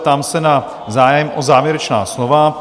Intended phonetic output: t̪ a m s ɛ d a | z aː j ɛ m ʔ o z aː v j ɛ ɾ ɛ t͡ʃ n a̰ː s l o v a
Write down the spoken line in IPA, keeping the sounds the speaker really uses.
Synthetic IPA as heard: t̪ a m s ɛ n a | z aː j ɛ m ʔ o z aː v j ɛ ɾ ɛ t͡ʃ n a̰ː s l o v a